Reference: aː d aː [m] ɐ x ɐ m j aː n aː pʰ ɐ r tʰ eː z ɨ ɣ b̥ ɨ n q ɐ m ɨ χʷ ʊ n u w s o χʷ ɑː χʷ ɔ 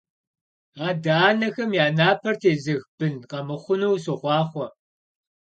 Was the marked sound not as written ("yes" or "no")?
yes